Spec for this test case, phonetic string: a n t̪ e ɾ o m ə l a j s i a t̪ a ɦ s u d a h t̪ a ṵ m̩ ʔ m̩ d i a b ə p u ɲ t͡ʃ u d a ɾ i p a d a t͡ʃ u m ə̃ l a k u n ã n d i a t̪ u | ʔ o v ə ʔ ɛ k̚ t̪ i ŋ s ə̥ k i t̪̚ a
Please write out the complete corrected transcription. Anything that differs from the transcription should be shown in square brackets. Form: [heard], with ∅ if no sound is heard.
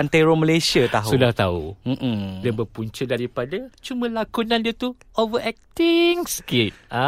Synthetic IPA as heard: a n t̪ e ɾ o m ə l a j s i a t̪ a ɦ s u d a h t̪ a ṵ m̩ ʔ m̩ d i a b ə p u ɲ t͡ʃ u d a ɾ i p a d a t͡ʃ u m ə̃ l a k u n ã n d i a t̪ u | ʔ o v ə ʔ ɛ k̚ t̪ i ŋ s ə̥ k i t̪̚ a